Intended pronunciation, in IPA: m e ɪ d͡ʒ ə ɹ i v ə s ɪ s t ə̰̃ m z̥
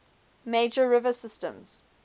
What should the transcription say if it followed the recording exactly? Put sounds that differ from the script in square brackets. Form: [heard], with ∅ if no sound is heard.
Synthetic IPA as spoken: m e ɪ d͡ʒ ə ɹ [ɪ] v ə s ɪ s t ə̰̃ m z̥